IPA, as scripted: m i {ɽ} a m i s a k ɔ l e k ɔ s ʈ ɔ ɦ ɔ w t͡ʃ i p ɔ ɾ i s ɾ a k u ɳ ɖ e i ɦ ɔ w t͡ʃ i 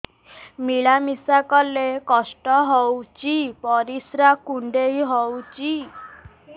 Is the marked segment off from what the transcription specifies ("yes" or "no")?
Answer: yes